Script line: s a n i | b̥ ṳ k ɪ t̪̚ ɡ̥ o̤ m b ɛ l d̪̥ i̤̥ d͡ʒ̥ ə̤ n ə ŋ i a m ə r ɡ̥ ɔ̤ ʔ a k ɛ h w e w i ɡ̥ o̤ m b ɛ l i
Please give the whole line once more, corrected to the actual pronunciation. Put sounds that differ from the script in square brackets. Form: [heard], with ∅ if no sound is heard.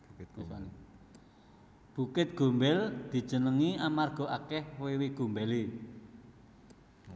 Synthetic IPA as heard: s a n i | b̥ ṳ k ɪ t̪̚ ɡ̥ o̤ m b ɛ l d̪̥ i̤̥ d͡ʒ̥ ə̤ n ə ŋ i a m [a] r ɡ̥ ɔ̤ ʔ a k ɛ h w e w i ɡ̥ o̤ m b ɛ l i

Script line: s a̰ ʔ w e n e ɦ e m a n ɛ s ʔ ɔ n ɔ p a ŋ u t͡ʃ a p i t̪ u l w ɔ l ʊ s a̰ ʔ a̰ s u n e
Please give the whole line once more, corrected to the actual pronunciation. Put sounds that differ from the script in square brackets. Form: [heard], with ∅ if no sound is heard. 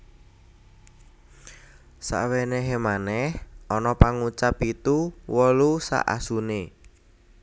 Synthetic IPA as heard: s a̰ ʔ w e n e ɦ e m a n ɛ [h] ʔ ɔ n ɔ p a ŋ u t͡ʃ a p i t̪ u [∅] w ɔ l [u] s a̰ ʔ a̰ s u n e

